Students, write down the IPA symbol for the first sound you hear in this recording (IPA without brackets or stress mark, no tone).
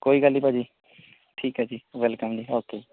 k